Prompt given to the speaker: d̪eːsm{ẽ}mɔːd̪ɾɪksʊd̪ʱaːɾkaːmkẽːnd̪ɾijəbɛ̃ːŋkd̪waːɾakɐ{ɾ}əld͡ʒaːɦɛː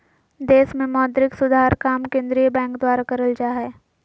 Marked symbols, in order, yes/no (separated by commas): yes, yes